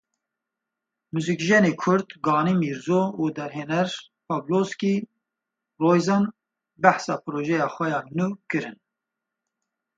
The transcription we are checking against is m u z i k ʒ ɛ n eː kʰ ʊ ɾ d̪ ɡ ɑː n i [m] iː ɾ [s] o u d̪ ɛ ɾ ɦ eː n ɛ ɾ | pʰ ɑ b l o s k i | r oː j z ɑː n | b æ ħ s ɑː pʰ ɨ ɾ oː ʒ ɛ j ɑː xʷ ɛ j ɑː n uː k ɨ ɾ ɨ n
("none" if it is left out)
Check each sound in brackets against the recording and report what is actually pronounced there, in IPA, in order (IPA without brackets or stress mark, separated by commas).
m, z